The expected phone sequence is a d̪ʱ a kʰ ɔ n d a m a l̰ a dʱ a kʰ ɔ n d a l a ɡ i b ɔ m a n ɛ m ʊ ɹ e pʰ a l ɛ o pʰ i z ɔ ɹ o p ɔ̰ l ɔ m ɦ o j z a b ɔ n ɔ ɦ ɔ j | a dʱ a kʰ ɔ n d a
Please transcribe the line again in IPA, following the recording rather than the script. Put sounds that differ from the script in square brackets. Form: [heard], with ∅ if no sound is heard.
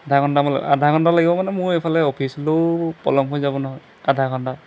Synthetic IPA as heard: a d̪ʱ a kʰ ɔ n d a m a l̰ a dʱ a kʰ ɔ n d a l a ɡ i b ɔ m a n ɛ m ʊ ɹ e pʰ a l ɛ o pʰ i [s] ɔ [l] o p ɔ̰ l ɔ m ɦ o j z a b ɔ n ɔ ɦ ɔ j | a dʱ a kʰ ɔ n d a